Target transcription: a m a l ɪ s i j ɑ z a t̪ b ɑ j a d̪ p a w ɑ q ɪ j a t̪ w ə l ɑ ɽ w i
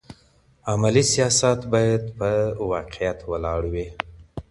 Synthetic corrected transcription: a m a l i s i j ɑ s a t̪ b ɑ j a d̪ p ə w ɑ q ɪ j a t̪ w ə l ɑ ɽ w i